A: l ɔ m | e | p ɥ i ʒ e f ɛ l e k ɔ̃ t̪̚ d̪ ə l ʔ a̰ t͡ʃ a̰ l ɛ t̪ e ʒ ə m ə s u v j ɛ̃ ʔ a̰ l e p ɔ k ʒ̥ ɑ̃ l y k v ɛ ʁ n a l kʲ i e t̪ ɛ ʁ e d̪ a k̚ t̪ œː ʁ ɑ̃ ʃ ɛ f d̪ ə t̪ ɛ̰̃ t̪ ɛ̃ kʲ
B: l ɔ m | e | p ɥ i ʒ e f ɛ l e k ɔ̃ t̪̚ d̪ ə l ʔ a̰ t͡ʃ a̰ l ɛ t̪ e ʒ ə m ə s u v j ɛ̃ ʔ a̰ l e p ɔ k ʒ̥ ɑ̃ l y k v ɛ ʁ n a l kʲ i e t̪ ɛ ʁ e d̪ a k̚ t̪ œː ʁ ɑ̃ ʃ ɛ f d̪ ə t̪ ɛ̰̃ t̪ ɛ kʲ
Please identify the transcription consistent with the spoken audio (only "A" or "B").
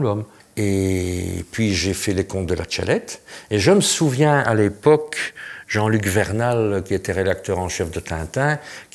A